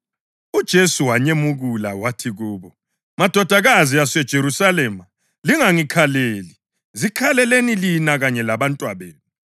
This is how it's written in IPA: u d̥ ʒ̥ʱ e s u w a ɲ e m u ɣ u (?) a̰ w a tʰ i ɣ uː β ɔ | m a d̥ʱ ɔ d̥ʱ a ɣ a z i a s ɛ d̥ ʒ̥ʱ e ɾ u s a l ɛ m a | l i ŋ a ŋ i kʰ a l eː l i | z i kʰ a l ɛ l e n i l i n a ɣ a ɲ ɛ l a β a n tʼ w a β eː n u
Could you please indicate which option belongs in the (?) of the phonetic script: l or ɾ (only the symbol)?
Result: l